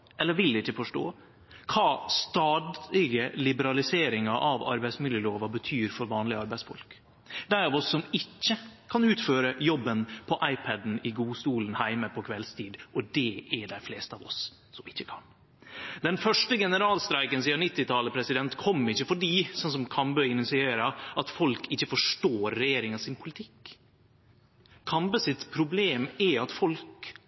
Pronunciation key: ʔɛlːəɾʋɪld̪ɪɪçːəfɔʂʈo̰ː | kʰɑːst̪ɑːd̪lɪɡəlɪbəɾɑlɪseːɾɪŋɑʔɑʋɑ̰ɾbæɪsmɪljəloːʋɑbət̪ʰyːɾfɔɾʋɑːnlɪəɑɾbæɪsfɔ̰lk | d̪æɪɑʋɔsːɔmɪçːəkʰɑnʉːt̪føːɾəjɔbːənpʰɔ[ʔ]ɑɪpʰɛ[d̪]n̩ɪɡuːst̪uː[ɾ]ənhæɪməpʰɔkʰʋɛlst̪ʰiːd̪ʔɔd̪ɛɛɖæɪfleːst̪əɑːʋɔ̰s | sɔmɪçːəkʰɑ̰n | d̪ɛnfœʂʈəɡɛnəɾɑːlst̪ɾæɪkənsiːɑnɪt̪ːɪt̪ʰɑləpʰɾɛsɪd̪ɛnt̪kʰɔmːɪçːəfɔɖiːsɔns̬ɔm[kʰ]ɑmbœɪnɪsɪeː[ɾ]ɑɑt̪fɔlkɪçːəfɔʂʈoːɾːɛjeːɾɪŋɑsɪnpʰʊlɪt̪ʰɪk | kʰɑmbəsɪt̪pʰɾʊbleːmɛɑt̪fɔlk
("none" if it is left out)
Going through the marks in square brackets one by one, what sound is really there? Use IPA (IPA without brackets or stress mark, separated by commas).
ʔ, d̪, l, kʰ, ɾ